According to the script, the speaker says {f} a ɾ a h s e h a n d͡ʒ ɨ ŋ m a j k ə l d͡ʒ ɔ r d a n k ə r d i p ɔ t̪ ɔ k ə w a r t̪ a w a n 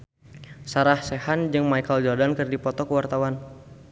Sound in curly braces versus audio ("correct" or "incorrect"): incorrect